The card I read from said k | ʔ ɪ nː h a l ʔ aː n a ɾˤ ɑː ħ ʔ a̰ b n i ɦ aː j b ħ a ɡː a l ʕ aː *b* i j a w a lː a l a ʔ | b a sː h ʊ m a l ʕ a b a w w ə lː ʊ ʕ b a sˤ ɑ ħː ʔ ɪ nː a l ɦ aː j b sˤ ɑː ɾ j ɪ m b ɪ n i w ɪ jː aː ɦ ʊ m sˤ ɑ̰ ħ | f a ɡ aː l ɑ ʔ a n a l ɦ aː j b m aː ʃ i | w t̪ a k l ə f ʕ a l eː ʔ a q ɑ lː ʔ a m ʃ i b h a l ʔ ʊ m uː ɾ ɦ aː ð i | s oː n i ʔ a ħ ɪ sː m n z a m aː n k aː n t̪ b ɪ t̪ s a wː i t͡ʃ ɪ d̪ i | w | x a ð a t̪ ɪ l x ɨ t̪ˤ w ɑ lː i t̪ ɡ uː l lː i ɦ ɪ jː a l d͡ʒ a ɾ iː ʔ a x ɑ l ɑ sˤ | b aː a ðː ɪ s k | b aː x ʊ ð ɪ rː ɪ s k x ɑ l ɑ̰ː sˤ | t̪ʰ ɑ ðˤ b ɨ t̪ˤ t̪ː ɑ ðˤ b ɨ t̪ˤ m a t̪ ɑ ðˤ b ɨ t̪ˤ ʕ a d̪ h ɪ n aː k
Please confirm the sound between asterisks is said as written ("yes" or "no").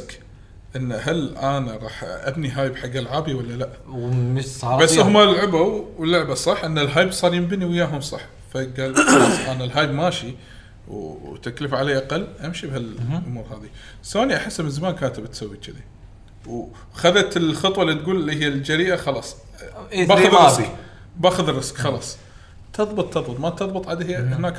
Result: yes